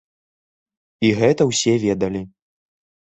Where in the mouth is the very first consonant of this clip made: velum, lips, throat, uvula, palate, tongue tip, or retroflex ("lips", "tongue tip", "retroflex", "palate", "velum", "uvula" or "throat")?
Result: velum